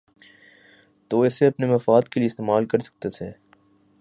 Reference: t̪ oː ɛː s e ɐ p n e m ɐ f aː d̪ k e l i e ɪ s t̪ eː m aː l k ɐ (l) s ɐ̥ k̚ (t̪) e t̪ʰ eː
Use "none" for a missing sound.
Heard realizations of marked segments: ɾ, t̪

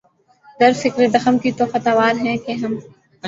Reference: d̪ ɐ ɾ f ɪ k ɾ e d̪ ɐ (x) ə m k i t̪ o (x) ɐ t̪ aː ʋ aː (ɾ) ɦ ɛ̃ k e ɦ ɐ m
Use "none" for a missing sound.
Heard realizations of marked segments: x, x, ɾ

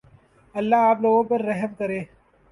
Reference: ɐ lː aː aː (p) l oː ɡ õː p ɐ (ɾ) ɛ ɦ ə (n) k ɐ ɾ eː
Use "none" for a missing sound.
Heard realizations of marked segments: p, ɾː, m

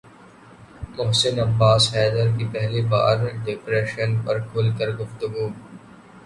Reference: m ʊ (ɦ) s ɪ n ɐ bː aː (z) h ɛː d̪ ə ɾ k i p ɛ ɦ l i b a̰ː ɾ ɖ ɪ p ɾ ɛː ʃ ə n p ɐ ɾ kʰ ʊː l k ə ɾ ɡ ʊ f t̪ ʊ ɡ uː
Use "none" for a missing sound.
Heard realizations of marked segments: ɦ, s

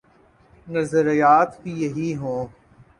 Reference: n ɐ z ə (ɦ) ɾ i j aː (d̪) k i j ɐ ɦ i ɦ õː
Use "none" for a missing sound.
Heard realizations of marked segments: none, t̪

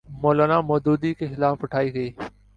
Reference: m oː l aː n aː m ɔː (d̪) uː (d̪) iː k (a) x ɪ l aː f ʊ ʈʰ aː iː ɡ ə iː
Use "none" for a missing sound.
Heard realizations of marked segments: d̪, d̪, e

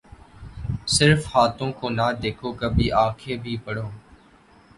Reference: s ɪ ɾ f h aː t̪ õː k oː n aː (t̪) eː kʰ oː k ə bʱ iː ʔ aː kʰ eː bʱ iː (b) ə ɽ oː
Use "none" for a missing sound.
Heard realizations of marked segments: d̪, p

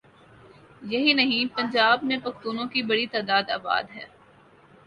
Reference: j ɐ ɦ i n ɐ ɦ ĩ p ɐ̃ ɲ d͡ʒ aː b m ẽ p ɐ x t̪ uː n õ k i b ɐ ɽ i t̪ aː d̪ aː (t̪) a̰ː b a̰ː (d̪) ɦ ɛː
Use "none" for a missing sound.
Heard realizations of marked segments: d̪, d̪

